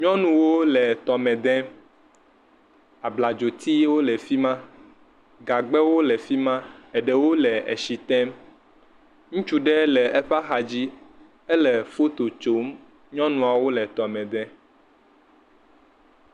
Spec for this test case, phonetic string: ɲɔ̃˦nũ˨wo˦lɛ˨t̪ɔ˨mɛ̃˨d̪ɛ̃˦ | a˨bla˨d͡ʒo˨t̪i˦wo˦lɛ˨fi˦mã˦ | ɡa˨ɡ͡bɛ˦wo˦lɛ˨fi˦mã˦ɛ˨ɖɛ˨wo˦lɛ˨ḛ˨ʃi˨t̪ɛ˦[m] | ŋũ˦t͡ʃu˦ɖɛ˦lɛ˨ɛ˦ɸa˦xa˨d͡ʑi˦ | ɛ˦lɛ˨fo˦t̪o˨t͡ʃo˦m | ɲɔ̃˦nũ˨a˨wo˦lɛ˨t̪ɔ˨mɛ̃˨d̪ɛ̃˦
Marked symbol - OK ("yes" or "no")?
yes